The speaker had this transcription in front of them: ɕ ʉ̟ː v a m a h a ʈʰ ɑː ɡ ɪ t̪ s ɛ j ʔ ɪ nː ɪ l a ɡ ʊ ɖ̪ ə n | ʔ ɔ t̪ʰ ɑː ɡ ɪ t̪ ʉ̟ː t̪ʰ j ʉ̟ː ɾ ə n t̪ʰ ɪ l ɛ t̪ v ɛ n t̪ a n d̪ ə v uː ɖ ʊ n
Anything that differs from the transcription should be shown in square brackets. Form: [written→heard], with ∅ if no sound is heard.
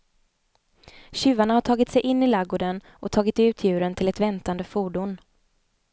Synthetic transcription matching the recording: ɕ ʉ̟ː v a [m→ɳ] a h a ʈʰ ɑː ɡ ɪ t̪ s ɛ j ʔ ɪ nː ɪ l a ɡ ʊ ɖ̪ ə n | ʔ ɔ t̪ʰ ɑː ɡ ɪ t̪ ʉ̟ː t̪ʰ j ʉ̟ː ɾ ə n t̪ʰ ɪ l ɛ t̪ v ɛ n t̪ a n d̪ ə [v→f] uː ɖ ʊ n